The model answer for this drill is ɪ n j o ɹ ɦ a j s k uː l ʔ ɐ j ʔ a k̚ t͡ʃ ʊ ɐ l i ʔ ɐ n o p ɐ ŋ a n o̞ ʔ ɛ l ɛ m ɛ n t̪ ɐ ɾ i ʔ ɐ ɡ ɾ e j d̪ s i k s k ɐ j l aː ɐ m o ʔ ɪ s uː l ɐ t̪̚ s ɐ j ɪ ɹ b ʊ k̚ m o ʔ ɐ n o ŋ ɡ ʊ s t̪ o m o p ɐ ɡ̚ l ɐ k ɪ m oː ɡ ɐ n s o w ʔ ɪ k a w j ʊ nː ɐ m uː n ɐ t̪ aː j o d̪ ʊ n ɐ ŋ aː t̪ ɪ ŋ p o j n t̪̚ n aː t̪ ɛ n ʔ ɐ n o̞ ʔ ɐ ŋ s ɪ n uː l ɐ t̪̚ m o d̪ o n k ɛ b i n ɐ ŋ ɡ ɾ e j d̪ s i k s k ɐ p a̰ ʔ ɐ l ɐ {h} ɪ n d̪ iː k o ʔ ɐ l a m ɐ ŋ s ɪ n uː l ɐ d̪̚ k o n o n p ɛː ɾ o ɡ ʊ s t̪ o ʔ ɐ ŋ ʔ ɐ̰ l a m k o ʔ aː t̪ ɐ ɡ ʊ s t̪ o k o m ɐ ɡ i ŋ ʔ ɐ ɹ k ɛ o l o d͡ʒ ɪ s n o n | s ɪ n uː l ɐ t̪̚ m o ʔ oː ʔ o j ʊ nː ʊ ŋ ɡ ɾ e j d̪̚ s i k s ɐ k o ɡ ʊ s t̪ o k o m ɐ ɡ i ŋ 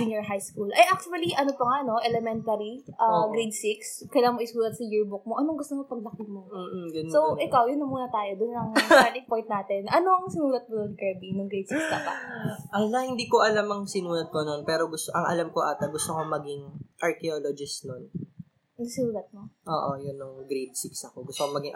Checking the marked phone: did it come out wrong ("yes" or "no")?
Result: no